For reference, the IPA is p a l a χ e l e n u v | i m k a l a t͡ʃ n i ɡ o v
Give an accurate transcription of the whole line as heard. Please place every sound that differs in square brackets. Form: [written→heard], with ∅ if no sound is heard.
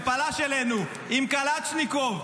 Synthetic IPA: p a l a [χ→ʃ] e l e n u [v→∅] | i m k a l a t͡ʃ n i [ɡ→k] o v